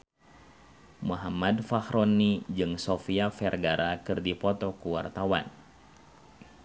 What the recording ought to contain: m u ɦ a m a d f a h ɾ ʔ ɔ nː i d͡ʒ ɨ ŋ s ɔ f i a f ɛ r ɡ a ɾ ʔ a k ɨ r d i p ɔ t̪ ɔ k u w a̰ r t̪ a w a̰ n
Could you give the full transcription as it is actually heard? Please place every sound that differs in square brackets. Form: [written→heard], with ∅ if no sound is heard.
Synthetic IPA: m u ɦ a m a d f a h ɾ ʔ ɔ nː i d͡ʒ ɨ ŋ s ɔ f i a f ɛ r ɡ a ɾ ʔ a k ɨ r d i p ɔ t̪ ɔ k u w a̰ r t̪ a w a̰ n